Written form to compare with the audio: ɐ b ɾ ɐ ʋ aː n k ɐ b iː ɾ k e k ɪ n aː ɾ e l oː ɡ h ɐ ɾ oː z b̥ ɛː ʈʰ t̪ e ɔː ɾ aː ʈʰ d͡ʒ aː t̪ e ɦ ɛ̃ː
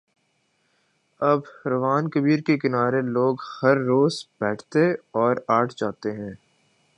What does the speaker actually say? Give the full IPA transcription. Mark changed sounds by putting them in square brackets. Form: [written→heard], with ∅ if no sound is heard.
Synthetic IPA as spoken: ɐ b ɾ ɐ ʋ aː n k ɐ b iː ɾ k e k ɪ n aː ɾ e l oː ɡ h ɐ [ɾ→ɾː] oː z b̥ ɛː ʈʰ t̪ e ɔː ɾ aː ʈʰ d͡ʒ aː t̪ e ɦ ɛ̃ː